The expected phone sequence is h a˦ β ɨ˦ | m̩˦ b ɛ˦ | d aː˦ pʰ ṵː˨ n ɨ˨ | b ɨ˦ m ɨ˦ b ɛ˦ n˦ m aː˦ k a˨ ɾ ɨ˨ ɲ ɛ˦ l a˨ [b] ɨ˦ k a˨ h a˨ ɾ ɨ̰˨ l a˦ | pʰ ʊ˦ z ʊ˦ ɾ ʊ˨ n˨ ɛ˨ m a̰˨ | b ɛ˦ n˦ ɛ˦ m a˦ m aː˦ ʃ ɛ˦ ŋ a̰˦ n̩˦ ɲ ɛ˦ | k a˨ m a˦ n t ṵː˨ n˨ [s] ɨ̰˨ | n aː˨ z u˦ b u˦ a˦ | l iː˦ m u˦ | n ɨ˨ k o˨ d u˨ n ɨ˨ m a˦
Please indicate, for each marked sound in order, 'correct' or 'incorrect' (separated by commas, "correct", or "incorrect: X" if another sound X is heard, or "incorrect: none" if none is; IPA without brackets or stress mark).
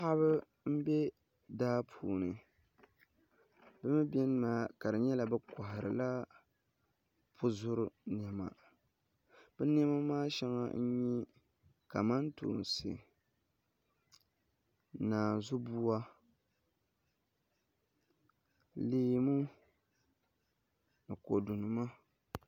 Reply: correct, correct